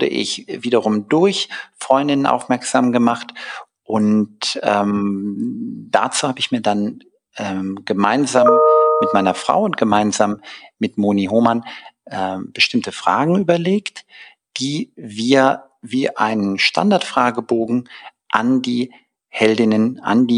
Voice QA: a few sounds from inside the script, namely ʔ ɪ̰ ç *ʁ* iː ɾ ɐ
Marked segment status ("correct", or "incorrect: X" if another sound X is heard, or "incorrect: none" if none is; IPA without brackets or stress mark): incorrect: v